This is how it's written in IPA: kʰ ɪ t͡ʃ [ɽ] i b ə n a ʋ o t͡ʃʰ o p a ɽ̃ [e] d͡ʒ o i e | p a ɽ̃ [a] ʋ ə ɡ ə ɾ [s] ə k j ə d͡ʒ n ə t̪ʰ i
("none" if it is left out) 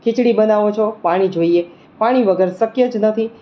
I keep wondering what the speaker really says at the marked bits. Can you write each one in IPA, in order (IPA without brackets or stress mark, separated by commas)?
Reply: ɽ, i, i, s